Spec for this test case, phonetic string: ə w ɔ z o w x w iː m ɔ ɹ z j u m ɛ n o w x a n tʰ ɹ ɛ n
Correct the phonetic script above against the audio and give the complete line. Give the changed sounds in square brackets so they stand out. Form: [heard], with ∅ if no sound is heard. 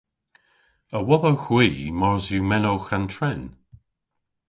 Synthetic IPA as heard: ə w ɔ [ð] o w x w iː m ɔ ɹ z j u m ɛ n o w x a n tʰ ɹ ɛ n